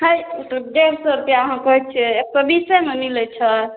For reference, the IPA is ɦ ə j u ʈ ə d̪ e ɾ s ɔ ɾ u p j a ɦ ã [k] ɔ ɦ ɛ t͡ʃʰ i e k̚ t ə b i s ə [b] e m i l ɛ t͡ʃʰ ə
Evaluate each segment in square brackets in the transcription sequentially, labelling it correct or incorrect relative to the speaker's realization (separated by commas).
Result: correct, incorrect